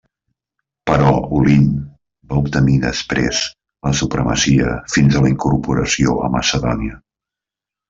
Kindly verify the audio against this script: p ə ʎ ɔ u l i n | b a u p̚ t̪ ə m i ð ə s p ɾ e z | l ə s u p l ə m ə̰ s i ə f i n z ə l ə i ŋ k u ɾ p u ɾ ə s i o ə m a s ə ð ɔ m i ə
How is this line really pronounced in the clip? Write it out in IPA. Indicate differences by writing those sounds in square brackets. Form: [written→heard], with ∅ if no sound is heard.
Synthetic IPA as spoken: p ə [ʎ→ɾ] ɔ u l i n | b a u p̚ t̪ ə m i ð ə s p ɾ e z | l ə s u p [l→ɾ] ə m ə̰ s i ə f i n z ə l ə i ŋ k u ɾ p u ɾ ə s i o ə m [a→ə] s ə ð ɔ [m→n] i ə